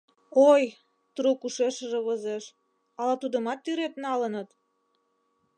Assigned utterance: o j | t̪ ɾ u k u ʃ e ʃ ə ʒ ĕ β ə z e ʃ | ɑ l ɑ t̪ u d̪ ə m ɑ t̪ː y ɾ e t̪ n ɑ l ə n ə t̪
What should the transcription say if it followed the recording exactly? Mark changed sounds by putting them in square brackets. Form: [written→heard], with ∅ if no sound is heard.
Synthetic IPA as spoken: o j | t̪ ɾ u k u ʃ e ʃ ə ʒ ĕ β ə z e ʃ | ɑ l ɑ t̪ u d̪ ə m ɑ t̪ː y ɾ e t̪ n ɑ l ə n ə t̪